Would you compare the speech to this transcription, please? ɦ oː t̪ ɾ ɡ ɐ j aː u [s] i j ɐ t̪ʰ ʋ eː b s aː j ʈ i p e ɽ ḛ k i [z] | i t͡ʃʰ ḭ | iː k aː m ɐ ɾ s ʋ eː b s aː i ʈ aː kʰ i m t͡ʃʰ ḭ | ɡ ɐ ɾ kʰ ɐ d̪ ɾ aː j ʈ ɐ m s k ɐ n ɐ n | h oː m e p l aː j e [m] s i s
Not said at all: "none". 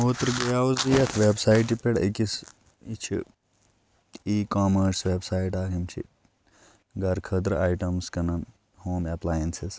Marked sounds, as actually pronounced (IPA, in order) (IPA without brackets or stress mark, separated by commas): z, s, n